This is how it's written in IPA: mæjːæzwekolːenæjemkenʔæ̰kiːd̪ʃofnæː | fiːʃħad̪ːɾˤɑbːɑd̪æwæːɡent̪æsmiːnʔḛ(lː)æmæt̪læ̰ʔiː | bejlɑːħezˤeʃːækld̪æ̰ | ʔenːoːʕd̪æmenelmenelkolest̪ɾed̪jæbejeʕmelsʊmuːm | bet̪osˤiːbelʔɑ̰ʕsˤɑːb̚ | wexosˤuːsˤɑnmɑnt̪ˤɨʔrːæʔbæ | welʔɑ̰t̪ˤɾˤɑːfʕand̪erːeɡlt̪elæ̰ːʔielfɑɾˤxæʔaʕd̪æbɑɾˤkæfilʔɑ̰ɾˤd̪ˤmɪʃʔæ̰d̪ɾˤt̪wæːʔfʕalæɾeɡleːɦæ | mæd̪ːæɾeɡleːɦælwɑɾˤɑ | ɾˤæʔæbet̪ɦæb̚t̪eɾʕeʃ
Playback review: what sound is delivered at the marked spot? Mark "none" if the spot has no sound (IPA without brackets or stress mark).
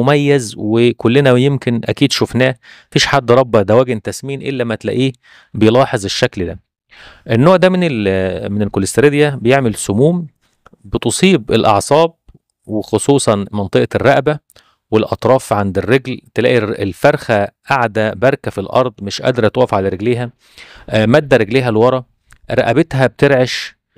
lː